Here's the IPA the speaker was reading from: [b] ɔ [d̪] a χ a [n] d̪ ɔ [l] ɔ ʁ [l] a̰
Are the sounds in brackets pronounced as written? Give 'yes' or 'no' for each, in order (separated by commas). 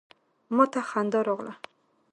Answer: no, no, yes, no, yes